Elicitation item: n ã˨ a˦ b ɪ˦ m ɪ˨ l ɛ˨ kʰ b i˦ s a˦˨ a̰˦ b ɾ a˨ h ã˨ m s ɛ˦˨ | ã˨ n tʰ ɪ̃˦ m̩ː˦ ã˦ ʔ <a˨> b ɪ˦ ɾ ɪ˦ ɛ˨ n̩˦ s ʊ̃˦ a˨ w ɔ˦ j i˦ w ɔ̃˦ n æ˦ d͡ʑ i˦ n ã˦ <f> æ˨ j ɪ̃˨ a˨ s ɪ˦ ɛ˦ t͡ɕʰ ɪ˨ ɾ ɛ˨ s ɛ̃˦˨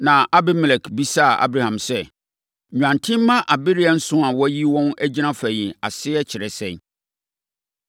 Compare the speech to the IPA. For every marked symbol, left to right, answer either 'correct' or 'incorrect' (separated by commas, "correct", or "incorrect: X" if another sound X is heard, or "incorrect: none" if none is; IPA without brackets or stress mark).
correct, correct